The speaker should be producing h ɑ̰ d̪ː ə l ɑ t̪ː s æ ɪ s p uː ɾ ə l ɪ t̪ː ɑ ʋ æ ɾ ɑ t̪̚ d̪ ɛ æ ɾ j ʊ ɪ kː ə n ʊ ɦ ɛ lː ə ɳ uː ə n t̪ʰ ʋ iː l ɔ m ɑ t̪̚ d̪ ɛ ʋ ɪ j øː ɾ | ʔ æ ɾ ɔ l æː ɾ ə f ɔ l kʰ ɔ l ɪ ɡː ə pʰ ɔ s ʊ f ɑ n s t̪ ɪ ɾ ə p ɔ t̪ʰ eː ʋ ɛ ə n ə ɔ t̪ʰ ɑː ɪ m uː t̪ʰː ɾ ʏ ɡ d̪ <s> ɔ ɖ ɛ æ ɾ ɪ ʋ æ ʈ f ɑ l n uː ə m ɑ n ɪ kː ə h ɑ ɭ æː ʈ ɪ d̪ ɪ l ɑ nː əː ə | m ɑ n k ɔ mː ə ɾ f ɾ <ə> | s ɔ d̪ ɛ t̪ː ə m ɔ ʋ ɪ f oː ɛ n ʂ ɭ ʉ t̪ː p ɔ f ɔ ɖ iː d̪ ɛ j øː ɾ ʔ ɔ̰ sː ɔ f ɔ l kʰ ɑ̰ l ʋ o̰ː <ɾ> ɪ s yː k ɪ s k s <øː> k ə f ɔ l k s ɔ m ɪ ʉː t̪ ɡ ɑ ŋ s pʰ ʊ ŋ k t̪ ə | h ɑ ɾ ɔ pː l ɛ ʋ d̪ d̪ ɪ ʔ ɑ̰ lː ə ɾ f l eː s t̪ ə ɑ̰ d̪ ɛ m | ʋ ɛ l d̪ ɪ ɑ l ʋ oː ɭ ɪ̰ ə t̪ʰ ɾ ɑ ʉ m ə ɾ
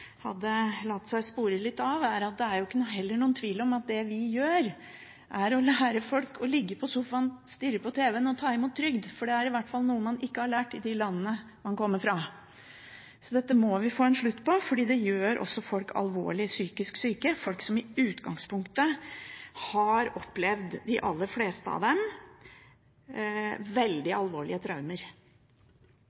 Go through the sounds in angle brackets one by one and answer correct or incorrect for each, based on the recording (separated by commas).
incorrect, incorrect, incorrect, incorrect